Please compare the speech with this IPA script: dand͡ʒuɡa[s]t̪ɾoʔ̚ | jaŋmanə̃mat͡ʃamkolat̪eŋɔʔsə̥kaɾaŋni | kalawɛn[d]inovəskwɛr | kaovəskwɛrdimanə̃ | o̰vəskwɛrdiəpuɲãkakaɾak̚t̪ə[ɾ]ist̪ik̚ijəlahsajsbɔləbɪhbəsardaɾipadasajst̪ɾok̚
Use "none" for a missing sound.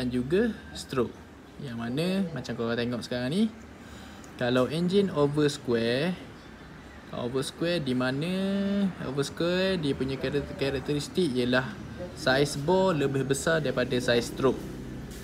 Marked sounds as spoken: s, d͡ʒ, ɾ

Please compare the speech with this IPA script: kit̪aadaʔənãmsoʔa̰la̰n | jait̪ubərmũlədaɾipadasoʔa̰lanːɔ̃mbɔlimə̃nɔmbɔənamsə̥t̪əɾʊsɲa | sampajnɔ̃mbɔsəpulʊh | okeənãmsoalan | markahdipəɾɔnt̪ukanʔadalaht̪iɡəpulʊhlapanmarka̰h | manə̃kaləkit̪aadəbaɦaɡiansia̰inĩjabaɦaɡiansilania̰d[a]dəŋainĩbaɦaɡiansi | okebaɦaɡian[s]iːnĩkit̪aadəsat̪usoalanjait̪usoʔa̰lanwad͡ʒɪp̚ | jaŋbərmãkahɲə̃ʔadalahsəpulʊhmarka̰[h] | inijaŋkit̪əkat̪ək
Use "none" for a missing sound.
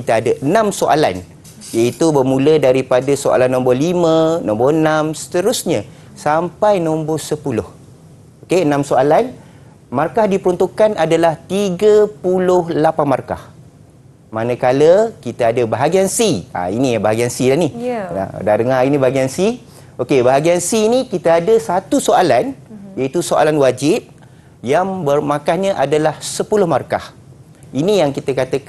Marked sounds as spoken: a, s, h

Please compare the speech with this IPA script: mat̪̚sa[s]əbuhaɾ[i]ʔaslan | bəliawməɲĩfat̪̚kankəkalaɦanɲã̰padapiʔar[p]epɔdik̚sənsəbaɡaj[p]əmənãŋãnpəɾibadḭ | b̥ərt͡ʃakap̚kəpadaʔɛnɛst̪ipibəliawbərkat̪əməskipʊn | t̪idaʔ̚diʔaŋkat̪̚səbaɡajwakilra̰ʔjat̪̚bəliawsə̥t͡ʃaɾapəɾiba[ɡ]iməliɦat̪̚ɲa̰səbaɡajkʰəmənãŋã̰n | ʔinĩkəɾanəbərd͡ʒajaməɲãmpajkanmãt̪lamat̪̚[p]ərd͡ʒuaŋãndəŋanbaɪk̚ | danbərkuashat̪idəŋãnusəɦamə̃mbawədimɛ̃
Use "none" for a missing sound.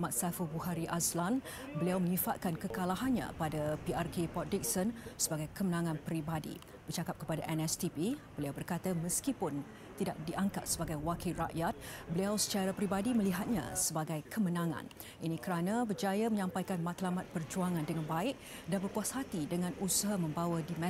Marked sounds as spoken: f, i, k, k, d, p

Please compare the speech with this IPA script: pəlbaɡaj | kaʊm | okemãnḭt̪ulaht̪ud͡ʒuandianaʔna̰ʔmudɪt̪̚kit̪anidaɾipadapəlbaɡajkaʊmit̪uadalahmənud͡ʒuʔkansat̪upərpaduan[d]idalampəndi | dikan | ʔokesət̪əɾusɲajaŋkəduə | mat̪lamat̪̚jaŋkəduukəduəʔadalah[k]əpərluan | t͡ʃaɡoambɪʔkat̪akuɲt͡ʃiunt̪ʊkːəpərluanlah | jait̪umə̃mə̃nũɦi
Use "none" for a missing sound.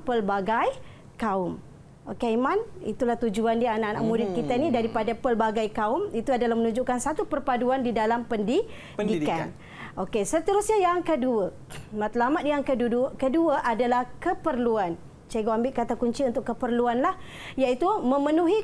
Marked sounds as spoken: d, k

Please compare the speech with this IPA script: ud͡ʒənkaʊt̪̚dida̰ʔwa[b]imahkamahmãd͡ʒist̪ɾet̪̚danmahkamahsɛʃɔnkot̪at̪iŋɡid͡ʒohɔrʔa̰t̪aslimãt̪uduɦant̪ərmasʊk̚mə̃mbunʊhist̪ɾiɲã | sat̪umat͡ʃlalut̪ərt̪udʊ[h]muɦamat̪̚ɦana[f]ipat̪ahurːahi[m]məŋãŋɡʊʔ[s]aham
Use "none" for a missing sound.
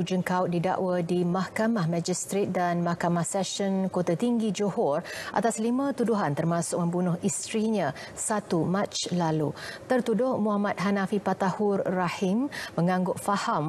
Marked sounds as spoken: d, h, f, m, f

